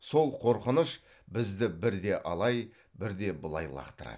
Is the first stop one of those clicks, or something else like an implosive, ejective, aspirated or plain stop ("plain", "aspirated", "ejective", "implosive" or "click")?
aspirated